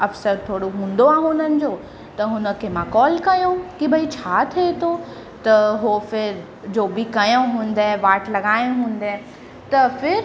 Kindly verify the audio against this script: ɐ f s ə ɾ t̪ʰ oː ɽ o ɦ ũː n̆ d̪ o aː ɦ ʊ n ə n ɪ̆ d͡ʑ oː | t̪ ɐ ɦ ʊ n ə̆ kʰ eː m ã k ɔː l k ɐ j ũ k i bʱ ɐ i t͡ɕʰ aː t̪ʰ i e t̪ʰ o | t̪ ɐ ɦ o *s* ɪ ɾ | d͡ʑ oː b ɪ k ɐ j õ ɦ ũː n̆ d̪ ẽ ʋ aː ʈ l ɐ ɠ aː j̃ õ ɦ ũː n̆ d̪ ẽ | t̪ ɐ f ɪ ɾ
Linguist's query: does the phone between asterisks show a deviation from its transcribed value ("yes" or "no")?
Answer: yes